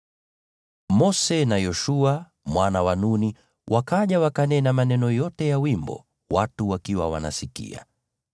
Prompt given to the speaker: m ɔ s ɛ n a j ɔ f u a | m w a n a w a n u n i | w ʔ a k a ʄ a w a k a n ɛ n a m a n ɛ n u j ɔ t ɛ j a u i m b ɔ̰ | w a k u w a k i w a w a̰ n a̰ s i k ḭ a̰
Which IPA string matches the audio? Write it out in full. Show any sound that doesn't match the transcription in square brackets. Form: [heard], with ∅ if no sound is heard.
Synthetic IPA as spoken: m ɔ s ɛ n a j ɔ [ʃ] u a | m w a n a w a n u n i | w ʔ a k a ʄ a w a k a n ɛ n a m a n ɛ n [ɔ] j ɔ t ɛ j a [w] i m b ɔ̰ | w a [t] u w a k i w a w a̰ n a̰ s i k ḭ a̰